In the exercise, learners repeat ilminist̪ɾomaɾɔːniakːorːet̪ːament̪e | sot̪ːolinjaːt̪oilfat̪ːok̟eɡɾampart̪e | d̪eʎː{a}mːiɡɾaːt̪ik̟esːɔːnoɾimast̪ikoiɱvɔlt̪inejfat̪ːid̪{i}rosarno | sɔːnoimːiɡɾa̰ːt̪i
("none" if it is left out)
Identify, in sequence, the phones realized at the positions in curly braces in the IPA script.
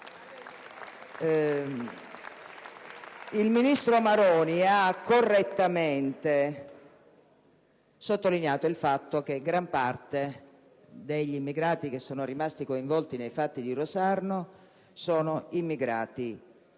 i, i

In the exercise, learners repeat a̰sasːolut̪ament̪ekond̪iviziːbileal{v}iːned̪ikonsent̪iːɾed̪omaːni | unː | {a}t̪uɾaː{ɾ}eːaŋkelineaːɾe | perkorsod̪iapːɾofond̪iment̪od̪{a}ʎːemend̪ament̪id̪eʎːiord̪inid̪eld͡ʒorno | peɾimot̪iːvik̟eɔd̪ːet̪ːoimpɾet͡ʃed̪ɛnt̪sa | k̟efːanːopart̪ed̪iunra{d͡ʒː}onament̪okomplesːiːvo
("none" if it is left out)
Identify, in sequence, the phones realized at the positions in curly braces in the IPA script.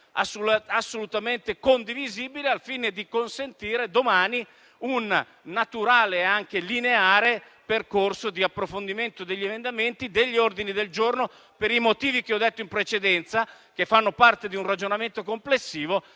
f, a, l, e, d͡ʒ

